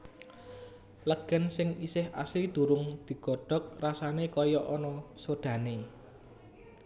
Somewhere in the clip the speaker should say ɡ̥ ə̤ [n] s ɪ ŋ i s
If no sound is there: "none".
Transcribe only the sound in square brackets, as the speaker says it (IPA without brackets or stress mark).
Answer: n